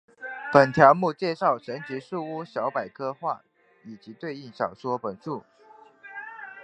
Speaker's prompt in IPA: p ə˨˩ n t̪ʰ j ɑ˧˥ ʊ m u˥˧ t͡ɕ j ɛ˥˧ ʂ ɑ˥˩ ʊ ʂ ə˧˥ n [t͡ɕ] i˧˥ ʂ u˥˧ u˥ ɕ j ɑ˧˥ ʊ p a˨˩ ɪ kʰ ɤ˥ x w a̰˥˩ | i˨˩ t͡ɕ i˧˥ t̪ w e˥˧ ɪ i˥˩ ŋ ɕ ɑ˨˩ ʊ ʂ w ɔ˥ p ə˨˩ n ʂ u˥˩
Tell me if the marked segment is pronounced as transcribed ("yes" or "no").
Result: yes